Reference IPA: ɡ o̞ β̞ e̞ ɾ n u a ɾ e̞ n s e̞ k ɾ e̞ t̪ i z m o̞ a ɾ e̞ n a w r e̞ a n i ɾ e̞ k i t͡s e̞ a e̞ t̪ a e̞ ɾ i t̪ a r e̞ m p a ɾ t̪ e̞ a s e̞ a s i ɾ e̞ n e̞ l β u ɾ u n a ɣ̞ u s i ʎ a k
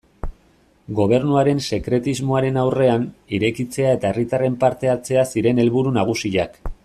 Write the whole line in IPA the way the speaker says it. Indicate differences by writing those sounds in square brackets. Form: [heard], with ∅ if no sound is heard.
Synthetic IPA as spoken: ɡ o̞ β̞ e̞ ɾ n u a ɾ e̞ n s e̞ k ɾ e̞ t̪ i z m o̞ a ɾ e̞ n a w r e̞ a n i ɾ e̞ k i t͡s e̞ a e̞ t̪ a e̞ [r] i t̪ a r e̞ m p a ɾ t̪ e̞ a [t͡s] e̞ a s i ɾ e̞ n e̞ l β u ɾ u n a ɣ̞ u s i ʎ a k